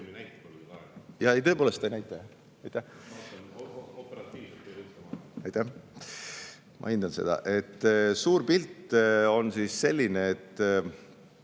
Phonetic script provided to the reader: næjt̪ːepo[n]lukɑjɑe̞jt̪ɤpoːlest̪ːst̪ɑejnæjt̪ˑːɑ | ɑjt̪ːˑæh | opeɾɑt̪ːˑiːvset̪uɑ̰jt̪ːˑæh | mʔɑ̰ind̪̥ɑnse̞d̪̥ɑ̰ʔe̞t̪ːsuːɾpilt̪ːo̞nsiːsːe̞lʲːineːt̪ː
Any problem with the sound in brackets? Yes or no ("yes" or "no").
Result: yes